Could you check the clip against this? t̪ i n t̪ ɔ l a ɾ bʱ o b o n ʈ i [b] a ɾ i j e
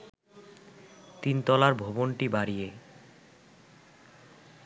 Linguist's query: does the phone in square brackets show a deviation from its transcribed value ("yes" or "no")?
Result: no